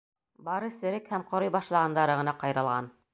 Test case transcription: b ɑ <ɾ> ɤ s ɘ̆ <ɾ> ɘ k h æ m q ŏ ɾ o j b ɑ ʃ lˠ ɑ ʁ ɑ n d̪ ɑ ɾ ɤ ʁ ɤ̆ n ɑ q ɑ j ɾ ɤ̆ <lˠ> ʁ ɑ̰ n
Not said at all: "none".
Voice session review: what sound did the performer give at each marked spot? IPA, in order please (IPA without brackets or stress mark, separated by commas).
ɾ, ɾ, lˠ